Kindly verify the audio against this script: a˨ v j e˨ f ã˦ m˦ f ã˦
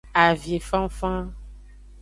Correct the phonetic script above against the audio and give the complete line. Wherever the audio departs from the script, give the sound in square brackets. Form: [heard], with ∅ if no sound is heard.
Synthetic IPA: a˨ v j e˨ f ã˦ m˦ f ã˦